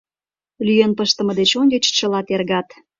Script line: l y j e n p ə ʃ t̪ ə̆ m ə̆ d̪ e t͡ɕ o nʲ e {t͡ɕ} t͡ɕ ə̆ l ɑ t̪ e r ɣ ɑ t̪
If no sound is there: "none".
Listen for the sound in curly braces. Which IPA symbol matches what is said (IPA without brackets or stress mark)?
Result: t͡ɕ